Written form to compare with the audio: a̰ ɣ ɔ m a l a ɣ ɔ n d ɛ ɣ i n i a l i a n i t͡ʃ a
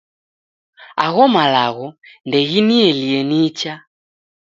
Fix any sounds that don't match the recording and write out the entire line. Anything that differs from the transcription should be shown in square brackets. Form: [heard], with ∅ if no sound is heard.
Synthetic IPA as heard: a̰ ɣ ɔ m a l a ɣ ɔ n d ɛ ɣ i n i [ɛ] l i [ɛ] n i t͡ʃ a